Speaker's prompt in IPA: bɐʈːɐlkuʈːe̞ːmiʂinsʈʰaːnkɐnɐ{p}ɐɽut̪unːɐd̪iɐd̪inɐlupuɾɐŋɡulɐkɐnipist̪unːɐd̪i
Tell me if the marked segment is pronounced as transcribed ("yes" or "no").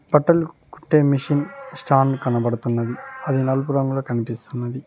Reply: no